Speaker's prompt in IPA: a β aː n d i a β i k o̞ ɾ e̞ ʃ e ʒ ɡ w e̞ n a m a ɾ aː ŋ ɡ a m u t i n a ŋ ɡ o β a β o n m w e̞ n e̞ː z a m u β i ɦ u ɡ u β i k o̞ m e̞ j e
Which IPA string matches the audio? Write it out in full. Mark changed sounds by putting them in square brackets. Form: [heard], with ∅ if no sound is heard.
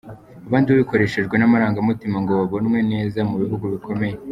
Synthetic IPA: a β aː n d i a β i k o̞ ɾ e̞ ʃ e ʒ ɡ w e̞ n a m a ɾ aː ŋ ɡ a m u t i [m] a ŋ ɡ o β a β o n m w e̞ n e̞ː z a m u β i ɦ u ɡ u β i k o̞ m e̞ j e